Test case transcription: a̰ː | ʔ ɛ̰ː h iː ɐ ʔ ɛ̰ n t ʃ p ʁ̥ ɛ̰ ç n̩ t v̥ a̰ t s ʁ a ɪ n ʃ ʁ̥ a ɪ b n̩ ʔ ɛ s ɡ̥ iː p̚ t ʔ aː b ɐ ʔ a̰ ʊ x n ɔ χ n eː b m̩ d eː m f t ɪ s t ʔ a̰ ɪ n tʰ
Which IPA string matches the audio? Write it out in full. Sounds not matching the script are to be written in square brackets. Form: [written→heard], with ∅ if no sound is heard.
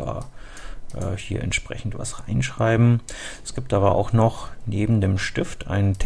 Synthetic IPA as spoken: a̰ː | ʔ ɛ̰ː h iː ɐ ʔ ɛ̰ n t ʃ p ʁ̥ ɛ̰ ç n̩ t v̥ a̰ [t→∅] s ʁ a ɪ n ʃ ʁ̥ a ɪ b [n̩→m̩] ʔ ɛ s ɡ̥ iː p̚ t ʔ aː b ɐ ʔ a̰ ʊ x n ɔ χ n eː b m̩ d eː m [f→ʃ] t ɪ [s→f] t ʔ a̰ ɪ n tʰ